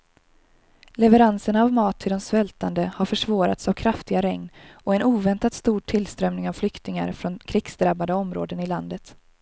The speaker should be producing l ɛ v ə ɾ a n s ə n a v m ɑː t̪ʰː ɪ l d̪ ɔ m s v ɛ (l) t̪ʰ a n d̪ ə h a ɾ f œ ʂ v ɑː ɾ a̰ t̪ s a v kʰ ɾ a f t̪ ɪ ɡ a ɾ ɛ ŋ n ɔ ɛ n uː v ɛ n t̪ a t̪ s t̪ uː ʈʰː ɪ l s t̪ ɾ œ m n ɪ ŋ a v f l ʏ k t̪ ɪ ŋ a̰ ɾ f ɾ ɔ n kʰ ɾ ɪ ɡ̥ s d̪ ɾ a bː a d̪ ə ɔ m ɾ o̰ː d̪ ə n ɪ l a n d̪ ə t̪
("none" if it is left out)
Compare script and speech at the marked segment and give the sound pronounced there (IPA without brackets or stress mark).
l